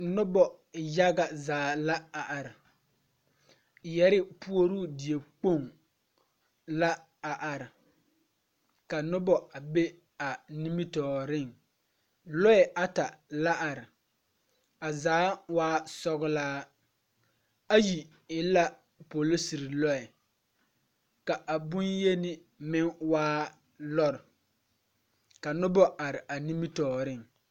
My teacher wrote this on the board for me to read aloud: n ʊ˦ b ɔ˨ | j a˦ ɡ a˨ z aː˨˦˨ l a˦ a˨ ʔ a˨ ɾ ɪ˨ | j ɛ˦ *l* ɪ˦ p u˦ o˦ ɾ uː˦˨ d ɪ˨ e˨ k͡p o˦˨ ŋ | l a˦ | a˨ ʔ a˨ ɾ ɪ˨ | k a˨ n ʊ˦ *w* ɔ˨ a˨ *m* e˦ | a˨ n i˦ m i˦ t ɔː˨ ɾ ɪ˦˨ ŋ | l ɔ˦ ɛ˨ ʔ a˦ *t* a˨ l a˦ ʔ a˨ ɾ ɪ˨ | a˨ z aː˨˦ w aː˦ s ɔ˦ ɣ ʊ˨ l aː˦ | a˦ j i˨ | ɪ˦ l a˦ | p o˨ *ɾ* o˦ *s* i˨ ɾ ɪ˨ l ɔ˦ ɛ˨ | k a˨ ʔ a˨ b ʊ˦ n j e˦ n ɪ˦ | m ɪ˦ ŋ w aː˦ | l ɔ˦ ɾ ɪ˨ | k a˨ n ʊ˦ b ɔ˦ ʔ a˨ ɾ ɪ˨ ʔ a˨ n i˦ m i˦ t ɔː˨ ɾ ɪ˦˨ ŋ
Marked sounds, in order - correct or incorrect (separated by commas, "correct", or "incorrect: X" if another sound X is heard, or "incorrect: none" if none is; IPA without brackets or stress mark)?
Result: incorrect: ɾ, incorrect: b, incorrect: b, correct, incorrect: l, correct